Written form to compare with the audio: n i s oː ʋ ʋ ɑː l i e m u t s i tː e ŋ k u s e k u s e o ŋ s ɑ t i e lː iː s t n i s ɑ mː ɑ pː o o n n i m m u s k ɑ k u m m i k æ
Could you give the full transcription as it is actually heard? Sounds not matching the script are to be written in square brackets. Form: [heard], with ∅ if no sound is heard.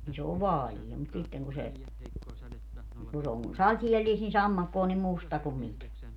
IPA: n i s oː ʋ ʋ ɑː l i e m u t s i tː e ŋ k u s e k u s e o ŋ s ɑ t i e lː iː s t n i s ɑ mː ɑ [kː] o o n n i m m u s [t] ɑ k u m m i k æ